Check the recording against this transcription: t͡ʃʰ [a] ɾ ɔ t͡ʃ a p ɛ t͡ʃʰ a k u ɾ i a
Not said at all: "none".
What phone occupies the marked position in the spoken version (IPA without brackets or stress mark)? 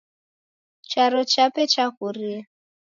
a